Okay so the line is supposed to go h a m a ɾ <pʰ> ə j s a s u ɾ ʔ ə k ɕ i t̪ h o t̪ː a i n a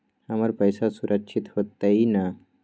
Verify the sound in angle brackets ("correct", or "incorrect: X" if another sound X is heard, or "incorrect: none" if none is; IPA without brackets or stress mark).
incorrect: p